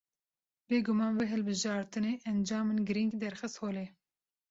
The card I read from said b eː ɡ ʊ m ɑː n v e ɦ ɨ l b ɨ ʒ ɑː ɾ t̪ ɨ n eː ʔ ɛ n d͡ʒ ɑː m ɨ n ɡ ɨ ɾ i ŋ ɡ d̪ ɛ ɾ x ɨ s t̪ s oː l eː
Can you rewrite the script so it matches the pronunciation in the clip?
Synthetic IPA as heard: b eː ɡ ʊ m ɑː n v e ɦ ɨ l b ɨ ʒ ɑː ɾ t̪ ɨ n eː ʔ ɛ n d͡ʒ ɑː m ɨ n ɡ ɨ ɾ i ŋ ɡ d̪ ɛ ɾ x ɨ s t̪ h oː l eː